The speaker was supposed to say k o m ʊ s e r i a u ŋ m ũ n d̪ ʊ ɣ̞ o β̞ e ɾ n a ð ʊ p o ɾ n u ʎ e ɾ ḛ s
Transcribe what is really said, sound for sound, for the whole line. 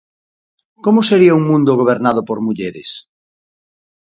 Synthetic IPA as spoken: k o m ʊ s e ɾ i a u ŋ m ũ n d̪ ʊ ɣ̞ o β̞ e ɾ n a ð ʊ p o ɾ m u ʎ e ɾ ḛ s